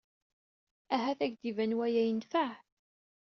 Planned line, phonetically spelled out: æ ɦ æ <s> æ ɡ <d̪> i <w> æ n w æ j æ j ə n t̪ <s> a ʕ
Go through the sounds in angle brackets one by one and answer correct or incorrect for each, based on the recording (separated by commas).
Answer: incorrect, correct, incorrect, incorrect